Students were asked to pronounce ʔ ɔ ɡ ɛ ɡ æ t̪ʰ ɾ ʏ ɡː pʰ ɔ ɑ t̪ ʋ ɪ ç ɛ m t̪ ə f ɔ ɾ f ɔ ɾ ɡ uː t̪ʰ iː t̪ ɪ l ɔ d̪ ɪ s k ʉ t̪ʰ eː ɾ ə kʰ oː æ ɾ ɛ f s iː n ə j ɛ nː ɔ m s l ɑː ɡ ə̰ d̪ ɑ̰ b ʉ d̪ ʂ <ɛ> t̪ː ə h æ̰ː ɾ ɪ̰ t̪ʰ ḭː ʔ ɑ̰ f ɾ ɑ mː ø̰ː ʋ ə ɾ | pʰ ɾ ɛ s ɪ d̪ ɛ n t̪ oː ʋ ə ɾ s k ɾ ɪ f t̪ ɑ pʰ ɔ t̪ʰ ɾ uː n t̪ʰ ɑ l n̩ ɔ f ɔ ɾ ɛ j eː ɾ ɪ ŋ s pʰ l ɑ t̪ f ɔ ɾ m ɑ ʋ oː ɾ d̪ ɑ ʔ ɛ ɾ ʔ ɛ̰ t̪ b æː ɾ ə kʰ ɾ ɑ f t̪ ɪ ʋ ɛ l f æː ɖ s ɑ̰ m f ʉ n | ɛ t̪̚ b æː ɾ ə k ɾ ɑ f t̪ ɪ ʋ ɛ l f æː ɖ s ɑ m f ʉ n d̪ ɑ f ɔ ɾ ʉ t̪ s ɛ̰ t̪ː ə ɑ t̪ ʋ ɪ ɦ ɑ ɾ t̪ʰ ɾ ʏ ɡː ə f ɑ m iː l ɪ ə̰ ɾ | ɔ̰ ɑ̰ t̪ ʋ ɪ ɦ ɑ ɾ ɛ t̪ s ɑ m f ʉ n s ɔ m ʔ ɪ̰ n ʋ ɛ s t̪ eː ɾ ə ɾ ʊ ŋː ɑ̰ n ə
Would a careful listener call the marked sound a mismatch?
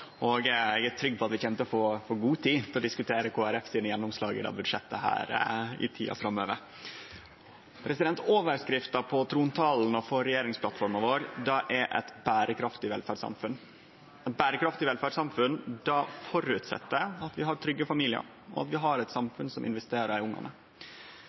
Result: no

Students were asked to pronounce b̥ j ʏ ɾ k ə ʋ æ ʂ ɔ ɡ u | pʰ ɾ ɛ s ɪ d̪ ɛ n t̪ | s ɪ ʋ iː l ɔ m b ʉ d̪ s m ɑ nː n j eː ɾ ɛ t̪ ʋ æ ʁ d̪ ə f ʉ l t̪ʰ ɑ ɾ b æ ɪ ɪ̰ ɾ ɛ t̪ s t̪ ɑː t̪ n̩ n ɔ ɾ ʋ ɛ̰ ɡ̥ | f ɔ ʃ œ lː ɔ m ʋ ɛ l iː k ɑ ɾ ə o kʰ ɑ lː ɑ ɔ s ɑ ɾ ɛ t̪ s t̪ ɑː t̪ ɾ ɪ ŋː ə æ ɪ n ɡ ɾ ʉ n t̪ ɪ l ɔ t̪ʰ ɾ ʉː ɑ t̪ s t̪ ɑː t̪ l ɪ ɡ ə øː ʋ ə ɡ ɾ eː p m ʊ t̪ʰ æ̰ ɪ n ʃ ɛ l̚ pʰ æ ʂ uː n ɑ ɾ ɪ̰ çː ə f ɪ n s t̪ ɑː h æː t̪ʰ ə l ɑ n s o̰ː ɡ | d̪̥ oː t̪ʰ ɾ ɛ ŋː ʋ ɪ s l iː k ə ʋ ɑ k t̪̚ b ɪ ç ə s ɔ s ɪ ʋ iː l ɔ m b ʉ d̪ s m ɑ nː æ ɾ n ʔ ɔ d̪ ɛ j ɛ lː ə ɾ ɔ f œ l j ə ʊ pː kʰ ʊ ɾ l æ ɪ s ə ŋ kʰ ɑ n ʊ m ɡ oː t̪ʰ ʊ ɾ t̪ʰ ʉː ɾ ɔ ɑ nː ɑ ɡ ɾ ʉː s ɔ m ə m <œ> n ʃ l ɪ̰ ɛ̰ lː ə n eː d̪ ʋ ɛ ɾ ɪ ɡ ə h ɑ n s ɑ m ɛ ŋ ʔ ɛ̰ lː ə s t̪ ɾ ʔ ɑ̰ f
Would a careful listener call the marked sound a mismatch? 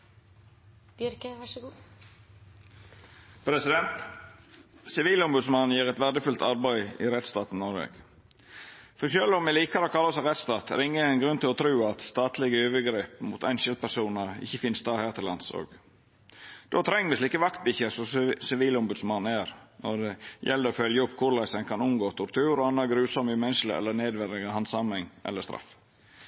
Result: yes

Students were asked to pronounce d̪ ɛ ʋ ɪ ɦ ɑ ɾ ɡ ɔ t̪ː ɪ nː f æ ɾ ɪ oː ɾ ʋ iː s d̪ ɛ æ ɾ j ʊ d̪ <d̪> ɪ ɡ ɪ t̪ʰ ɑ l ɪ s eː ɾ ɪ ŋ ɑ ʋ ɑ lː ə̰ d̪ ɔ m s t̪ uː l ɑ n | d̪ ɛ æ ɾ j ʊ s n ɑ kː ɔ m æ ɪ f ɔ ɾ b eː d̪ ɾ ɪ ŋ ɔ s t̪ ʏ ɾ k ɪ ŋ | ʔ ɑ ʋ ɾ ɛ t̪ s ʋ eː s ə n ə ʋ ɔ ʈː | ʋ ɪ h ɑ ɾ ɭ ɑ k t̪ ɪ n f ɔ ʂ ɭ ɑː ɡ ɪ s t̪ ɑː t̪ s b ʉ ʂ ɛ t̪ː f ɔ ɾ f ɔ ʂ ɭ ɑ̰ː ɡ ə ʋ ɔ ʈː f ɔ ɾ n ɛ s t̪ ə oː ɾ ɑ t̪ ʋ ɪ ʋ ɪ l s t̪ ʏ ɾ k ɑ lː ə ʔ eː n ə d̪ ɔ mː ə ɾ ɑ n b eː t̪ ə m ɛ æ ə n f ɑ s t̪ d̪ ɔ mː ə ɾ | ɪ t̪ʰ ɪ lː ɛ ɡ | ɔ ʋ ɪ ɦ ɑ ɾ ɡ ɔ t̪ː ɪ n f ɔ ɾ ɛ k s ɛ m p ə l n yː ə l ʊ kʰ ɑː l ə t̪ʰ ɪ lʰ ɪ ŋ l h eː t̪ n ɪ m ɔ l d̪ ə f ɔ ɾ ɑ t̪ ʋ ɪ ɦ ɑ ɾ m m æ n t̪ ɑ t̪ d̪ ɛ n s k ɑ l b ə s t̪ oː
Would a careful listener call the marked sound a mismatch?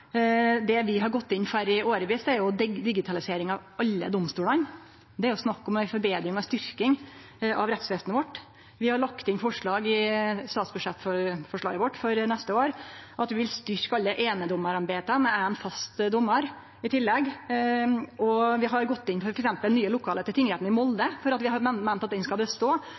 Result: no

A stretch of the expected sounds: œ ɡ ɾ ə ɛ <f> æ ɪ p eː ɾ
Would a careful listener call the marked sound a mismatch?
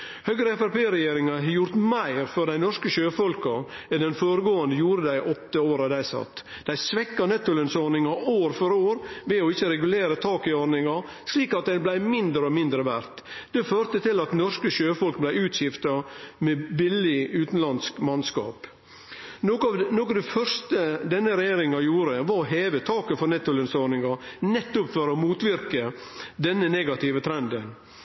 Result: no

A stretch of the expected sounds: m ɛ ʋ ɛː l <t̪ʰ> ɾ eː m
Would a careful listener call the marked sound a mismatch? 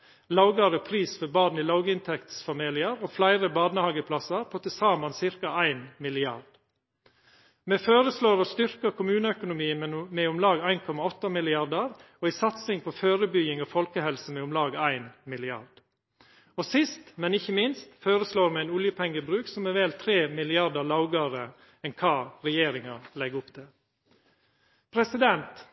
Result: no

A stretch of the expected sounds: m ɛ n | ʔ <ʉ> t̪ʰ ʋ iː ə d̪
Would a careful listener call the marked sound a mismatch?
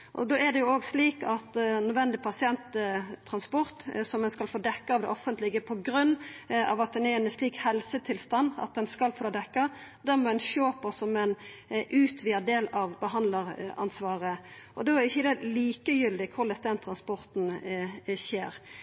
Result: yes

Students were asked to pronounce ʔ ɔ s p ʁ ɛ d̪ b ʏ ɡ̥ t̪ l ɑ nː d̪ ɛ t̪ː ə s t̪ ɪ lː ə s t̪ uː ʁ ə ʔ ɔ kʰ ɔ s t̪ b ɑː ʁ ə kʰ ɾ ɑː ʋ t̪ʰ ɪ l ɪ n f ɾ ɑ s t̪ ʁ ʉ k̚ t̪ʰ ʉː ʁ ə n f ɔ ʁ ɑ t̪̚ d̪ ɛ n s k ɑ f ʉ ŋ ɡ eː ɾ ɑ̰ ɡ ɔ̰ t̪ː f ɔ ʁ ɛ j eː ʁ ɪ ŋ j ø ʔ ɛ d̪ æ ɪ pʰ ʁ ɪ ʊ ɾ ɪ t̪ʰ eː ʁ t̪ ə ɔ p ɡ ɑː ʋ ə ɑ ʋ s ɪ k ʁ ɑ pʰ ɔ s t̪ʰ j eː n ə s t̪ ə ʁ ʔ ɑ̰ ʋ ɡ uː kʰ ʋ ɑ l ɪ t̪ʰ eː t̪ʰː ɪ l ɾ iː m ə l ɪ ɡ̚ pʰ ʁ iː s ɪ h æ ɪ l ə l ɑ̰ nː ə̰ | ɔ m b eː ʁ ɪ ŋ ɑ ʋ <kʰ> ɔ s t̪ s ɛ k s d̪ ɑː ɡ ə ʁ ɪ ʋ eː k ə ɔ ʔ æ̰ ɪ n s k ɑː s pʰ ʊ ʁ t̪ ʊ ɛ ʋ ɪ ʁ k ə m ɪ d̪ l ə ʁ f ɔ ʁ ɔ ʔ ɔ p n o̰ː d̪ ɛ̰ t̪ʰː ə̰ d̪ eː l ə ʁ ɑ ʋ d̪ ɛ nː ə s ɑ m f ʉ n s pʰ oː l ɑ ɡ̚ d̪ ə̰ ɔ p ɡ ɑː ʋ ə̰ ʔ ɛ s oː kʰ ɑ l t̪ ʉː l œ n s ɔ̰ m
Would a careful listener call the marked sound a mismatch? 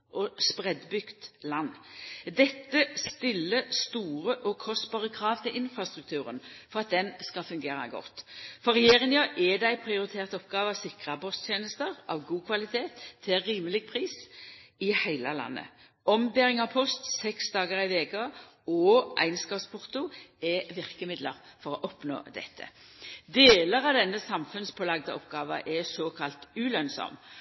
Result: yes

